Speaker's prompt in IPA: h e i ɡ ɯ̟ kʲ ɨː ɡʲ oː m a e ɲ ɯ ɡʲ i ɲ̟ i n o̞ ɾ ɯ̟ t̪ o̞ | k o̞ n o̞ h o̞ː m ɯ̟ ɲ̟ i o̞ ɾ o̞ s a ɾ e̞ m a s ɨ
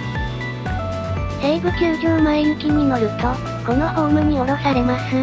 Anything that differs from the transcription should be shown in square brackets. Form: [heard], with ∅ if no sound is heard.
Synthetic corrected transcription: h e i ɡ ɯ̟ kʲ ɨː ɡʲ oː m a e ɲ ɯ [kʲ] i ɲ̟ i n o̞ ɾ ɯ̟ t̪ o̞ | k o̞ n o̞ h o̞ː m ɯ̟ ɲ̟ i o̞ ɾ o̞ s a ɾ e̞ m a s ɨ